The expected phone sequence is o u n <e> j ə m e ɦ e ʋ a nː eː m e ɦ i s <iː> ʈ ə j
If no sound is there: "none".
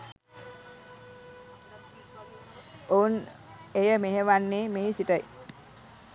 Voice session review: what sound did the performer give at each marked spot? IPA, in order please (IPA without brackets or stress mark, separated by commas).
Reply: e, i